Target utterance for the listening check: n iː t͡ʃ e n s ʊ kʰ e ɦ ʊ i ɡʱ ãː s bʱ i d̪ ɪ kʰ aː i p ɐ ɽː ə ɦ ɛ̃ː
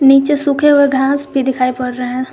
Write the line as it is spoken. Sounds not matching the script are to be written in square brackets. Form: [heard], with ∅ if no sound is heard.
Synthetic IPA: n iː t͡ʃ e [∅] s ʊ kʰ e ɦ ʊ [e] ɡʱ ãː s bʱ i d̪ ɪ kʰ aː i p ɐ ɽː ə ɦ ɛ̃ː